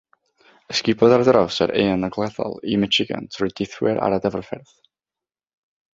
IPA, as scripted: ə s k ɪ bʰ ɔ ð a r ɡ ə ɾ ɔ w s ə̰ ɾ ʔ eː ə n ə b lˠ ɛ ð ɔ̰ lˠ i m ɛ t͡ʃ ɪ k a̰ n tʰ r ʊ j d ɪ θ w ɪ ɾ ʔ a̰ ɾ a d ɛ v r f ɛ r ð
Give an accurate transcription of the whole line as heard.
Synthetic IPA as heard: ə s k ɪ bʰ ɔ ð a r d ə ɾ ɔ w s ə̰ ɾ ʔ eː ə n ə ɡ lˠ ɛ ð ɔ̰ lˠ i m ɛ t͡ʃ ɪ ɡ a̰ n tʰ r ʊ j d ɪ θ w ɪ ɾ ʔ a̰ ɾ a d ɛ v r f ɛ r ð